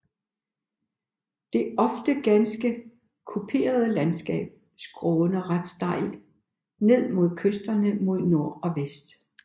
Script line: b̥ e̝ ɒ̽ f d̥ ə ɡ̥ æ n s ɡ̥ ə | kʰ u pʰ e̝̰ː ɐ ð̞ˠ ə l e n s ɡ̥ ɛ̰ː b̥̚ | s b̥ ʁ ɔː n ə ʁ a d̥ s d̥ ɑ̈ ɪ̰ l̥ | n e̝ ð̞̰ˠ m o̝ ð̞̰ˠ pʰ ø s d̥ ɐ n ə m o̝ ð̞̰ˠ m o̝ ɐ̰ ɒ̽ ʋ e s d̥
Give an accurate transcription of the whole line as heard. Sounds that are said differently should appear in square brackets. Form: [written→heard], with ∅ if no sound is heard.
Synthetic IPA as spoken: [b̥→d̥] e̝ ɒ̽ f d̥ ə ɡ̥ æ n s ɡ̥ ə | kʰ u pʰ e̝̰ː ɐ ð̞ˠ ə l [e→æ] n s ɡ̥ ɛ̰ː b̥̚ | s [b̥→ɡ̥] ʁ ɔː n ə ʁ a d̥ s d̥ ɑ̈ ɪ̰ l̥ | n e̝ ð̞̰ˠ m o̝ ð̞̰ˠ [pʰ→kʰ] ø s d̥ ɐ n ə m o̝ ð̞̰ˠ [m→n] o̝ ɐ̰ ɒ̽ ʋ e s d̥